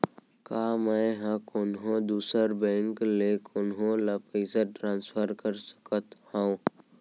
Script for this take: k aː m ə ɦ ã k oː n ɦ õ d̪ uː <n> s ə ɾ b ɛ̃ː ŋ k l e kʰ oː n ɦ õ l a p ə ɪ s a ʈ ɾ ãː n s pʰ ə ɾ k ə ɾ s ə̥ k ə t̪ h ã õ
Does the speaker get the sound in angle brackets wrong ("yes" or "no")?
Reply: yes